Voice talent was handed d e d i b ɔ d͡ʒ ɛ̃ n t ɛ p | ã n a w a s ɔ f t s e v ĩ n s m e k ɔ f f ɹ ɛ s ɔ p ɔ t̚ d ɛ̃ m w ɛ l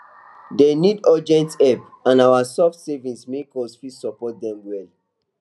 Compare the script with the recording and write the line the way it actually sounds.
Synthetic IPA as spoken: d e n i d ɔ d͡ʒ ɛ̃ n t ɛ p | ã n a w a s ɔ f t s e v ĩ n s m e k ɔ s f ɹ i s ɔ p ɔ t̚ d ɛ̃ m w ɛ l